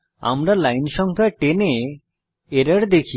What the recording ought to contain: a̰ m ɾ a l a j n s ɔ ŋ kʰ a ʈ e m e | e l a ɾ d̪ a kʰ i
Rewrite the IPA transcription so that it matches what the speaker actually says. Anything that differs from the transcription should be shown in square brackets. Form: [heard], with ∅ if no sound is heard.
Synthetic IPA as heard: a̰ m ɾ a l a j n [ʃ] ɔ ŋ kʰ a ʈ e [n] e | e [ɾ] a ɾ d̪ [e] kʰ i